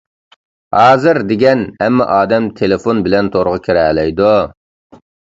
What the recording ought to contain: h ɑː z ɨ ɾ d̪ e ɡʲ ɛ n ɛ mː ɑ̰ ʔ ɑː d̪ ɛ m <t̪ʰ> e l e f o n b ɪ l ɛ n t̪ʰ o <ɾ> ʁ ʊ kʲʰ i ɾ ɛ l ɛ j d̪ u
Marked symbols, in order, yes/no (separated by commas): yes, yes